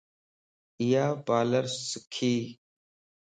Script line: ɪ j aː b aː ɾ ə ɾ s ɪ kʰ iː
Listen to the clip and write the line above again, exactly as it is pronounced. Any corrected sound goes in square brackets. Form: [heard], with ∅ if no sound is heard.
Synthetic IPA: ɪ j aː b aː [l] ə ɾ s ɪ kʰ iː